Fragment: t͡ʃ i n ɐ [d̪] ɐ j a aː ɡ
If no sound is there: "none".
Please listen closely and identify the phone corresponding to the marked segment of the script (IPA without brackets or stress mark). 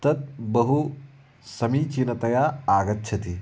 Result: t̪